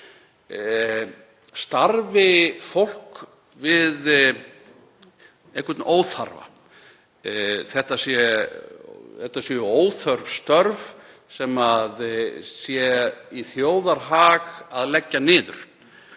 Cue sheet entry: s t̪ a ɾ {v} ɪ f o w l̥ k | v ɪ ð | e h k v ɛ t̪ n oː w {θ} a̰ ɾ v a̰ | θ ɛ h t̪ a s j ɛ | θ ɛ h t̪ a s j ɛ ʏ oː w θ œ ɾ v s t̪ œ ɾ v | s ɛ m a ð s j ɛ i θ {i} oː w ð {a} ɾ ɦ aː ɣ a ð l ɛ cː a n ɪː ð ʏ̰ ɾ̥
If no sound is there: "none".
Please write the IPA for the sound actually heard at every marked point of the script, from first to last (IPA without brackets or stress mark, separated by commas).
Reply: v, θ, j, a